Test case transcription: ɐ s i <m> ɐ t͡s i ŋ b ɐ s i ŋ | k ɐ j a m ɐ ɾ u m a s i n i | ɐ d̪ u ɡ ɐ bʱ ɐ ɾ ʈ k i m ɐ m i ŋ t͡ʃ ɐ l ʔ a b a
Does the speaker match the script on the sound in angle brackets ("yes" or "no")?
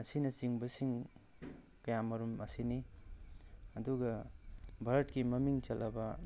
no